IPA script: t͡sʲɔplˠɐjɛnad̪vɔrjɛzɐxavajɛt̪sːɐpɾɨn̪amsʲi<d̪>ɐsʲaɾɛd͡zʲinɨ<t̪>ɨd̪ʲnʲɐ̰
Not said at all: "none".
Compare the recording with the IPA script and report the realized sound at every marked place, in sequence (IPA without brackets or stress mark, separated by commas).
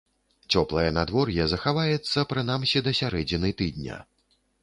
d̪, t̪